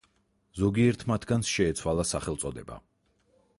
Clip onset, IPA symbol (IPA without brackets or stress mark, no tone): z